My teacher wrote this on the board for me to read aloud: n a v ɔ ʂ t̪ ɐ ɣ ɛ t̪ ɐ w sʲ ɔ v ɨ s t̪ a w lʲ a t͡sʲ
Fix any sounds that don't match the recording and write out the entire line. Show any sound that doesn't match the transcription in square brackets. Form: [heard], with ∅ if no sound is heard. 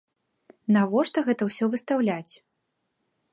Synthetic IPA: n a v ɔ ʂ t̪ ɐ ɣ ɛ t̪ ɐ w sʲ ɔ v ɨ s t̪ a w lʲ a t͡sʲ